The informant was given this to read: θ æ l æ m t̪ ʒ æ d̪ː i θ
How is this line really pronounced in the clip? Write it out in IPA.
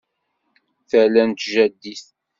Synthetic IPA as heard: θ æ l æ n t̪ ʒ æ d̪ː i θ